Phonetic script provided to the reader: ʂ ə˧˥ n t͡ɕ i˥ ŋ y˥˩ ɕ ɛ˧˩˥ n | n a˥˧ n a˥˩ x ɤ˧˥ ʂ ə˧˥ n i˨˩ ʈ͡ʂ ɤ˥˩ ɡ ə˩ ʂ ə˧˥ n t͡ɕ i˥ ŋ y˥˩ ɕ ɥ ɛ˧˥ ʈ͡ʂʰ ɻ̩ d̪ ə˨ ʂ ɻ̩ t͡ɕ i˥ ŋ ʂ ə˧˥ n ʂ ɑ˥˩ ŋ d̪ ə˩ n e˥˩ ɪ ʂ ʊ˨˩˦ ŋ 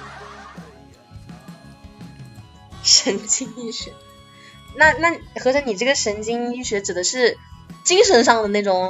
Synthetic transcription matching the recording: ʂ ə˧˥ n t͡ɕ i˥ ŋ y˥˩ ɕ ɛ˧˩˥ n | n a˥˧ n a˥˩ x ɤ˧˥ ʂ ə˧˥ n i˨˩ ʈ͡ʂ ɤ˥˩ ɡ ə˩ ʂ ə˧˥ n t͡ɕ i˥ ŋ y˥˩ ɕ ɥ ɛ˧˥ ʈ͡ʂ ɻ̩ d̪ ə˦ ʂ ɻ̩ t͡ɕ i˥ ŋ ʂ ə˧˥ n ʂ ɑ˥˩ ŋ d̪ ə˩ n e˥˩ ɪ ʈ͡ʂ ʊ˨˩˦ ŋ